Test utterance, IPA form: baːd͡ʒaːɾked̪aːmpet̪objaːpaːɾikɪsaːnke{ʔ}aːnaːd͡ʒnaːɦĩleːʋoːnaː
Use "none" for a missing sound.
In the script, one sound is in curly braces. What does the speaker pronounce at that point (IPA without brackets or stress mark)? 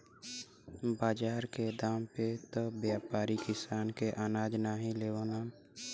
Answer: ʔ